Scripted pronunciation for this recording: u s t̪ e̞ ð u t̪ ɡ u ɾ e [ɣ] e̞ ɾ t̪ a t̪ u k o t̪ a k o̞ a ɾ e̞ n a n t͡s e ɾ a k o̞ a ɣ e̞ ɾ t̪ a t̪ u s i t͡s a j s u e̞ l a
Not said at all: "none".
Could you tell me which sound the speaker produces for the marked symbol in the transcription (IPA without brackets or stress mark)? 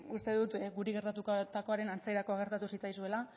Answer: ɣ